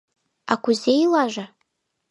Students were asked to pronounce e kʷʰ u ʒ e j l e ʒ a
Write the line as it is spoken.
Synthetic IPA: a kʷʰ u z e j l a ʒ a